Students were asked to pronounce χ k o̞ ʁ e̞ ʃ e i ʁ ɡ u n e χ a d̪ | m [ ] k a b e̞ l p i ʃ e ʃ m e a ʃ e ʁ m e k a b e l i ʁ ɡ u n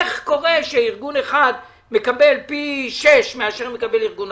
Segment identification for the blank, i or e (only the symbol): e